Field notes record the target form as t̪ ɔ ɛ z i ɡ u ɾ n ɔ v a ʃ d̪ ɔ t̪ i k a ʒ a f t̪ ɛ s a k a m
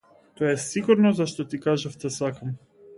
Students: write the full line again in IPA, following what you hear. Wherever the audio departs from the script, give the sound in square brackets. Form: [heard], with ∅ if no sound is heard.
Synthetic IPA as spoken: t̪ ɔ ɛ [s] i ɡ u ɾ n ɔ [z] a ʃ [t̪] ɔ t̪ i k a ʒ a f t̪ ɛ s a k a m